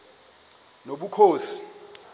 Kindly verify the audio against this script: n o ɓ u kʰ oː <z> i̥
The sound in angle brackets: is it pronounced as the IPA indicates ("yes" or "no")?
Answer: no